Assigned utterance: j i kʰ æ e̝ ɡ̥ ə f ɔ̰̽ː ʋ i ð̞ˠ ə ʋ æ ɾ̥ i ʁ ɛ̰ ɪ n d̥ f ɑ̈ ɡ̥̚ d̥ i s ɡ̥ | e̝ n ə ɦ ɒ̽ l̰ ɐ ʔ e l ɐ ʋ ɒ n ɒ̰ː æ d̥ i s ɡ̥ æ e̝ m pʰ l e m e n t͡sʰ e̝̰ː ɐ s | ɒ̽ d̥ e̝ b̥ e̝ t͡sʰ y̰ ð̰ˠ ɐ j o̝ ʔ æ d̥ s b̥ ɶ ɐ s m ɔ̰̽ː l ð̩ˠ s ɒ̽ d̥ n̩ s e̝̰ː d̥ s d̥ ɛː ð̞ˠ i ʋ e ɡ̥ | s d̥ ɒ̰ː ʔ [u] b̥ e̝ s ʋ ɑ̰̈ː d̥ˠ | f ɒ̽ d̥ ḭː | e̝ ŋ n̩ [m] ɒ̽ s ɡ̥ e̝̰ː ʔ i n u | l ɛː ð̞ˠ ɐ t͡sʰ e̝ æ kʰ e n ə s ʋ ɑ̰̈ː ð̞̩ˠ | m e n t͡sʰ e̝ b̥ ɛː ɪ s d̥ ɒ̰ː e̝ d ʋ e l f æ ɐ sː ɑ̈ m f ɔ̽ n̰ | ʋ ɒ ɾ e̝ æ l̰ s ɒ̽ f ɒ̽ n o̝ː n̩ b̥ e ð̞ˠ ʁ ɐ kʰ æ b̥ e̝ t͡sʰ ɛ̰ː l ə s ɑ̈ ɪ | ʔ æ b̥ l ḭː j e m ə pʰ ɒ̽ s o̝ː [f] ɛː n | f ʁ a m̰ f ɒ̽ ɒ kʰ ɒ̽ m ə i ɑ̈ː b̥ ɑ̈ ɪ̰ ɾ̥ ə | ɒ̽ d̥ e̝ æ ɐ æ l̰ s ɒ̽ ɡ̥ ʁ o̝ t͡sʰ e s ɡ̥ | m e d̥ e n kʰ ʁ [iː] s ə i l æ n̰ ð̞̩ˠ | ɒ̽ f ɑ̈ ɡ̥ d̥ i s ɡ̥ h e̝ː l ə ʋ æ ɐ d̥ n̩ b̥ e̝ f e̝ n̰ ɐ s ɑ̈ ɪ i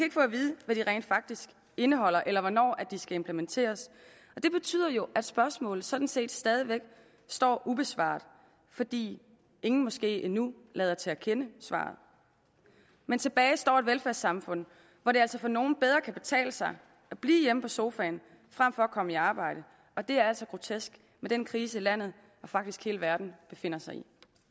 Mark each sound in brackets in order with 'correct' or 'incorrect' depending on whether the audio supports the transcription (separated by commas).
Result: correct, correct, correct, correct